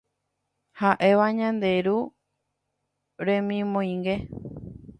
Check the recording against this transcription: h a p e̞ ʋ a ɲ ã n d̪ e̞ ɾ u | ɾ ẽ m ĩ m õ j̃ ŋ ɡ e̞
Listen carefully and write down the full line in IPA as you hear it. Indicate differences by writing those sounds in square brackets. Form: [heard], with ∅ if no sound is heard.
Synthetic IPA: h a [ʔ] e̞ ʋ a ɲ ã n d̪ e̞ ɾ u | ɾ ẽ m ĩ m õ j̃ ŋ ɡ e̞